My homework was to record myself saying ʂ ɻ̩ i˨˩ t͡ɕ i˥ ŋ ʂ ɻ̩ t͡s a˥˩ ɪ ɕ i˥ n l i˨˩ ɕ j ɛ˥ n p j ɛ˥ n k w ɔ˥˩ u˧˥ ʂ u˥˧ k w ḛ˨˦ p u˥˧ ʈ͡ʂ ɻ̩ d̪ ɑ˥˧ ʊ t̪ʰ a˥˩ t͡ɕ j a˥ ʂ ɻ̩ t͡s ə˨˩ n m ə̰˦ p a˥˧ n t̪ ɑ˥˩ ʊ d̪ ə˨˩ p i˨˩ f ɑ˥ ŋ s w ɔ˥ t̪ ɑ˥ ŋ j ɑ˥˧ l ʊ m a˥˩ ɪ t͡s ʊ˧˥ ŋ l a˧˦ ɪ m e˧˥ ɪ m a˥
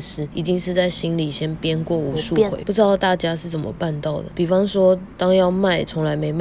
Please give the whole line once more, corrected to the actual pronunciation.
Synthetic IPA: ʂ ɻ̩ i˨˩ t͡ɕ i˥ ŋ ʂ ɻ̩ t͡s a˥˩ ɪ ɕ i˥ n l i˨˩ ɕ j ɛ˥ n p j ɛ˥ n k w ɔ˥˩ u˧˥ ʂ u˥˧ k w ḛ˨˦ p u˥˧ ʈ͡ʂ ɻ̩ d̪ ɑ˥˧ ʊ t̪ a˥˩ t͡ɕ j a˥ ʂ ɻ̩ t͡s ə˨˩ n m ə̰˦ p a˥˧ n t̪ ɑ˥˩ ʊ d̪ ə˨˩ p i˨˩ f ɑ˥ ŋ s w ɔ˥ t̪ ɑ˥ ŋ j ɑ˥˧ ʊ m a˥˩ ɪ t͡sʰ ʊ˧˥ ŋ l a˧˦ ɪ m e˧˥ ɪ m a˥